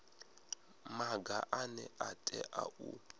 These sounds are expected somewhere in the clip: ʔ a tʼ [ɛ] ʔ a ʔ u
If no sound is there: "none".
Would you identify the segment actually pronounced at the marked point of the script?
ɛ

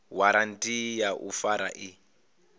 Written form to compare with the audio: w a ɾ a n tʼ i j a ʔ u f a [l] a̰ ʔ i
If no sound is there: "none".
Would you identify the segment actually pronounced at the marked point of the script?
ɾ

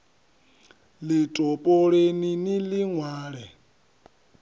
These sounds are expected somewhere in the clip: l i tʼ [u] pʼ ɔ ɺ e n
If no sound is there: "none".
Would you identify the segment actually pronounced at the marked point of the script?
ɔ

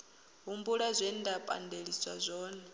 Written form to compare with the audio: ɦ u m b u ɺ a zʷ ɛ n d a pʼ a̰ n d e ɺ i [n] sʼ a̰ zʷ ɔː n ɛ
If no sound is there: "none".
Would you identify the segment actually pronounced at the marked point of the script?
none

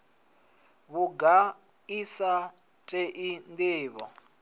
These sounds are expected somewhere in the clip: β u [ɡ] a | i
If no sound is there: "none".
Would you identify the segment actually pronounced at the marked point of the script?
ɡ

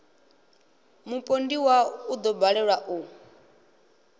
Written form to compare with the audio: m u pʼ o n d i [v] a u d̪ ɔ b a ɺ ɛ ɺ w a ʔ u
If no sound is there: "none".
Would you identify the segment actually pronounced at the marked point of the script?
w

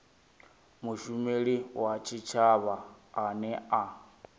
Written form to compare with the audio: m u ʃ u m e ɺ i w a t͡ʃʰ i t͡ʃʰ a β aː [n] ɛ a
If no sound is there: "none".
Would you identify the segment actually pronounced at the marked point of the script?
n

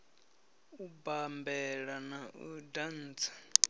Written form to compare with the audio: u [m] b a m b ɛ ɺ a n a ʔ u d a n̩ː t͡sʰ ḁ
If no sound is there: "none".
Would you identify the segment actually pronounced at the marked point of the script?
none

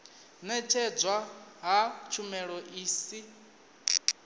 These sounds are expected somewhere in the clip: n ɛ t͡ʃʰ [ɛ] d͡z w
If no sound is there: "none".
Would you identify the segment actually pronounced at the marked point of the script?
ɛ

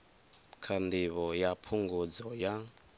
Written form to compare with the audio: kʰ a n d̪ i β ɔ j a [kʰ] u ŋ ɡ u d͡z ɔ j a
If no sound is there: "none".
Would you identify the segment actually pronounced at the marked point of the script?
pʰ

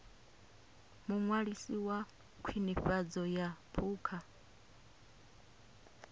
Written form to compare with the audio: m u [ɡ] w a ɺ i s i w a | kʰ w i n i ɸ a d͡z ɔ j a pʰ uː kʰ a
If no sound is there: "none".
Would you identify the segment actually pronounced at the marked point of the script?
ŋ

